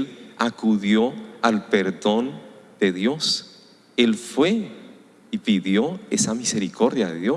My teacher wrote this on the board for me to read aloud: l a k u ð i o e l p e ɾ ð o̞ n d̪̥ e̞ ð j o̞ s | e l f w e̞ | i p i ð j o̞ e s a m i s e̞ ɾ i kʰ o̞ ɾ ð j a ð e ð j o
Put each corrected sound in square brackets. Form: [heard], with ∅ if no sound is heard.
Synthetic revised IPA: l a k u ð [j] o [a] l p e ɾ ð o̞ n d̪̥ e̞ ð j o̞ s | e l f w e̞ | i p i ð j o̞ e s a m i s e̞ ɾ i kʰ o̞ ɾ ð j a ð e ð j o